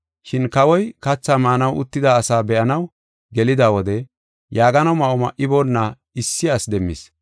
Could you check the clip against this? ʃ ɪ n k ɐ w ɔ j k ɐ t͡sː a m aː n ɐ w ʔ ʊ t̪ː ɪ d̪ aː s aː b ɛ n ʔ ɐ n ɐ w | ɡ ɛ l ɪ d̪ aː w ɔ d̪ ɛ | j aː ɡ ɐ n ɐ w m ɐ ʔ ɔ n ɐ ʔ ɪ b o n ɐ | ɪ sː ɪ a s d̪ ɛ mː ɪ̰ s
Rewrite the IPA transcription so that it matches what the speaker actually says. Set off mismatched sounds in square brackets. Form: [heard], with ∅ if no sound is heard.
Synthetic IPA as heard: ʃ ɪ n k ɐ w ɔ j k ɐ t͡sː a m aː n ɐ w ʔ ʊ t̪ː ɪ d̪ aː s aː b ɛ [∅] ʔ ɐ n ɐ w | ɡ ɛ l ɪ d̪ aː w ɔ d̪ ɛ | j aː ɡ ɐ n ɐ w m ɐ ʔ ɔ [m] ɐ ʔ ɪ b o [nː] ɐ | ɪ sː ɪ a s d̪ ɛ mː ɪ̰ s